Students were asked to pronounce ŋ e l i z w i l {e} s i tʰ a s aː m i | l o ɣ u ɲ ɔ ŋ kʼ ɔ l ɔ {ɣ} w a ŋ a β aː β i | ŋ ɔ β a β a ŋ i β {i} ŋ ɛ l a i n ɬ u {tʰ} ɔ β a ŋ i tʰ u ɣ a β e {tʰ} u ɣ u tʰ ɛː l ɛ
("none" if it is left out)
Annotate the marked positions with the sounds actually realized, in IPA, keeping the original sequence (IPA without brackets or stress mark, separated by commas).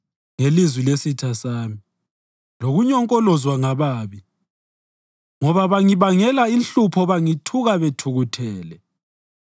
e, z, a, pʰ, tʰ